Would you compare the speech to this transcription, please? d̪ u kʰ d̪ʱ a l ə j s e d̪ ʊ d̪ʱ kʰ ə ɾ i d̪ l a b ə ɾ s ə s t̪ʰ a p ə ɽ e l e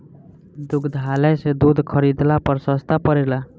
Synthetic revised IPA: d̪ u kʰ d̪ʱ a l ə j s e d̪ u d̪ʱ kʰ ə ɾ i d̪ l a p ə ɾ s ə s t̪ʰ a p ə ɾ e l a